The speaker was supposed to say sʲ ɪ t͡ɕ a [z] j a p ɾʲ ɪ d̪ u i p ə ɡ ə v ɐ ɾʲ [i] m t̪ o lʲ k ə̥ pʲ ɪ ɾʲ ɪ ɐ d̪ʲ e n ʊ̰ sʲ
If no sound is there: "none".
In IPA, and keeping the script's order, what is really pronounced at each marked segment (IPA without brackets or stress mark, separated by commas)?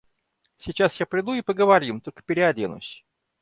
s, i